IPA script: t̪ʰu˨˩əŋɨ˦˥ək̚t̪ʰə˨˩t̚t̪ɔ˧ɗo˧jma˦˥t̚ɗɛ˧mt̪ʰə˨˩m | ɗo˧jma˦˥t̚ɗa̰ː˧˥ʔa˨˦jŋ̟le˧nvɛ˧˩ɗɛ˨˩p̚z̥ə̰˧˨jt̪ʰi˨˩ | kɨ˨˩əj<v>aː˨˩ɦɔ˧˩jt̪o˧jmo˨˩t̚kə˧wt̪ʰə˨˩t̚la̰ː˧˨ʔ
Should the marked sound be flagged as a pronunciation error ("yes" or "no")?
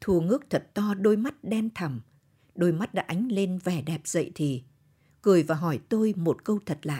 no